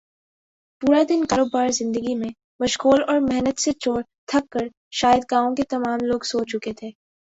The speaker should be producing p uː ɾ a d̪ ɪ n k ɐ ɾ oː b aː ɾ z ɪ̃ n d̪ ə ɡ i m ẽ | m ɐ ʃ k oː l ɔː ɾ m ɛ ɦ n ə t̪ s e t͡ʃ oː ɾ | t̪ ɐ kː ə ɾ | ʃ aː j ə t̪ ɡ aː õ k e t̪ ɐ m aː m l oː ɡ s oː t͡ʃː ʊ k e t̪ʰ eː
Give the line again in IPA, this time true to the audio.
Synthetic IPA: p uː ɾ a d̪ ɪ n k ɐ ɾ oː b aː ɾ z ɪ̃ n d̪ ə ɡ i m ẽ | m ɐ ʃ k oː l ɔː ɾ m ɛ ɦ n ə t̪ s e t͡ʃ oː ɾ | t̪ʰ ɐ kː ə ɾ | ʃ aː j ə d̪ ɡ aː õ k e t̪ ɐ m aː m l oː ɡ s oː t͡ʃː ʊ k e t̪ʰ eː